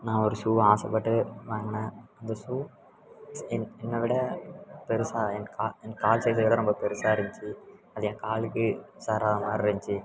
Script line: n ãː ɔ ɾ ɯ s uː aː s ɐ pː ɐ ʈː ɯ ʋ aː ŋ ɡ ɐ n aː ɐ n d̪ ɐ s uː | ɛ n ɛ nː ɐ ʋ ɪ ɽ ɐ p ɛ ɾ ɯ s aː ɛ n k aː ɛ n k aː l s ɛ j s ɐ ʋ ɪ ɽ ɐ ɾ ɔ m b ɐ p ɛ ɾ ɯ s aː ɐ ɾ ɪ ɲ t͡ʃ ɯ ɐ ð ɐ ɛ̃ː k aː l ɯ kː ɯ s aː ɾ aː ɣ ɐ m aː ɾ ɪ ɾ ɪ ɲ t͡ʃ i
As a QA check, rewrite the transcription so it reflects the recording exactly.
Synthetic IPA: n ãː ɔ ɾ ɯ s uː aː s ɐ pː ɐ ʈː ɯ ʋ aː ŋ ɡ ɐ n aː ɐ n d̪ ɐ s uː | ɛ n ɛ nː ɐ ʋ ɪ ɽ ɐ p ɛ ɾ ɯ s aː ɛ n k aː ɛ n k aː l s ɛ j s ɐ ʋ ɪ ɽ ɐ ɾ ɔ m b ɐ p ɛ ɾ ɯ s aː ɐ ɾ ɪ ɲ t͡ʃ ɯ ɐ ð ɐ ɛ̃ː k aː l ɯ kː ɯ s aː ɾ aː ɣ ɐ m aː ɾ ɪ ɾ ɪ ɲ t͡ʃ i